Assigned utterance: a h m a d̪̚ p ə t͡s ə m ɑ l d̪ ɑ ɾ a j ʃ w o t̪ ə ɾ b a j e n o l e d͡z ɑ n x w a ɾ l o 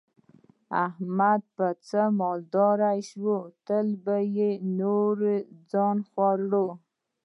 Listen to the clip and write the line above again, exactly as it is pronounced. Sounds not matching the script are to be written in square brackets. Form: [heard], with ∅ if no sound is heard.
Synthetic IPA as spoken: a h m a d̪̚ p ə t͡s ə m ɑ l d̪ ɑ ɾ a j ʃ w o t̪ ə [l] b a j e n o [ɾ] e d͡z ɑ n x w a ɾ [ɽ] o